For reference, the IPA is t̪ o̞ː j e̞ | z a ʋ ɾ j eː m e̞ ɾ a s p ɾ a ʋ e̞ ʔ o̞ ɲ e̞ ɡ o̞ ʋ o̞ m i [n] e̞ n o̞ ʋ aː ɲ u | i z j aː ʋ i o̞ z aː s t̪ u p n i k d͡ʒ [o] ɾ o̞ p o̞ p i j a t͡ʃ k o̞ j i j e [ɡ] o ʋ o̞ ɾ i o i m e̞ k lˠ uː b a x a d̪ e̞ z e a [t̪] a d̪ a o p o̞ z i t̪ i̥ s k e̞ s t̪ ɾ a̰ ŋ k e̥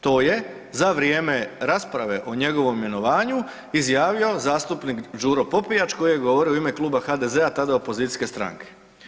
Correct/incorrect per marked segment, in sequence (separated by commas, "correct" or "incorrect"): incorrect, incorrect, correct, correct